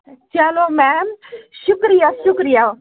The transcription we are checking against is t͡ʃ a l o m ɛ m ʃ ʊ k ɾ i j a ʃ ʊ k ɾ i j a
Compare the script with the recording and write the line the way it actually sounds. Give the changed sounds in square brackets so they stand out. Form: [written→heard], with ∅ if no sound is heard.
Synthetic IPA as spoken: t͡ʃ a l o m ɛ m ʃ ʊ k ɾ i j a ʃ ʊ k ɾ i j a